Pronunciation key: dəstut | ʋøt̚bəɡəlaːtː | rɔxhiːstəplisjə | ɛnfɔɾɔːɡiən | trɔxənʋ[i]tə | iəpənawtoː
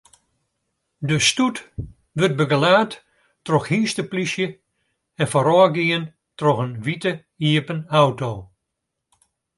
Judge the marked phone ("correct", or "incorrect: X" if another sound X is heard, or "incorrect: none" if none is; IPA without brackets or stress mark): correct